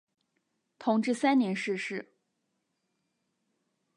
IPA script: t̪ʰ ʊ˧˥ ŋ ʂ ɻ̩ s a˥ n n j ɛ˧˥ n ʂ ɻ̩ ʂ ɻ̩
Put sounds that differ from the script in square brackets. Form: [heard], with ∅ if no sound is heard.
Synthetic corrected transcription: t̪ʰ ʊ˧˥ ŋ [ʈ͡ʂ] ɻ̩ s a˥ n n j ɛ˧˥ n ʂ ɻ̩ ʂ ɻ̩